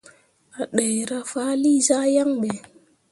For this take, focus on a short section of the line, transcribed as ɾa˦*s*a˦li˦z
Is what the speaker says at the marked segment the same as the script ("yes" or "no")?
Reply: no